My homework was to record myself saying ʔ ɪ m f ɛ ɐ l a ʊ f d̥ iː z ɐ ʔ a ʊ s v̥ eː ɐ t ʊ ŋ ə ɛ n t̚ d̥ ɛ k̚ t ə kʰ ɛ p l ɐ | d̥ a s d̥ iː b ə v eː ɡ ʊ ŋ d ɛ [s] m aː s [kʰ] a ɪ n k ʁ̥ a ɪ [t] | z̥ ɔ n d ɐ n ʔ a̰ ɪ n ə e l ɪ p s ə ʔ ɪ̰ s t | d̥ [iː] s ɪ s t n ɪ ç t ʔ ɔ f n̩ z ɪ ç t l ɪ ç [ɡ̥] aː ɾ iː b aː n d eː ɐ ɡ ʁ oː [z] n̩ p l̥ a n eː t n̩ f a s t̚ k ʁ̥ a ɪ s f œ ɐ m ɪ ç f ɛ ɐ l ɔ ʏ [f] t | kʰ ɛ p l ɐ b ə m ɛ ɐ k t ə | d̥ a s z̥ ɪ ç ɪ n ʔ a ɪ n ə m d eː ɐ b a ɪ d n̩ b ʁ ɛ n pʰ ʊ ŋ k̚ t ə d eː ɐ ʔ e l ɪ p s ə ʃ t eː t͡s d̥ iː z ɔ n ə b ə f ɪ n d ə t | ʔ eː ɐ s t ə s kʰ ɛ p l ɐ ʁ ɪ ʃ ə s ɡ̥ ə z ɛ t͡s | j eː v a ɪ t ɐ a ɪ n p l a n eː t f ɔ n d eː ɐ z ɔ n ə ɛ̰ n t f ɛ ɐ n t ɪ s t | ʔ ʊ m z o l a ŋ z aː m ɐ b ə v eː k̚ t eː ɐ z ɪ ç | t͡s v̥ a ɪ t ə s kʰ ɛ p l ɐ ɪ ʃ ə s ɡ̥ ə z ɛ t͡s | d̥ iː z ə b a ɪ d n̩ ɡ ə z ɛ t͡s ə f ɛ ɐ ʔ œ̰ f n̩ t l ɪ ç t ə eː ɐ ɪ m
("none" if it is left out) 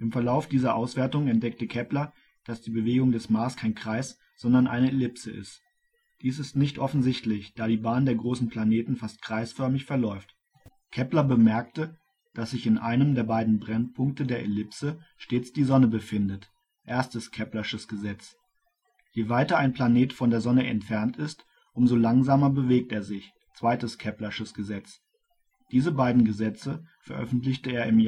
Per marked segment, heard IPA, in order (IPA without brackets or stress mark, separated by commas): s, kʰ, s, iː, d̥, s, f